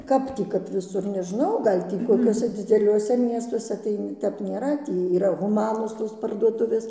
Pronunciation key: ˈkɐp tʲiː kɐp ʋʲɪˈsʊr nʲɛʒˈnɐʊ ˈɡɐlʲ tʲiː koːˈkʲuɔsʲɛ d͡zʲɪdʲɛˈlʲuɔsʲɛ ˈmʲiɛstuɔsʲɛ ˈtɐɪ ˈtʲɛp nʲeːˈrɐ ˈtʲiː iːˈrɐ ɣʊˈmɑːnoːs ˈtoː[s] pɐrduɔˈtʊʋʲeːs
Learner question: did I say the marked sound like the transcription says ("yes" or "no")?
yes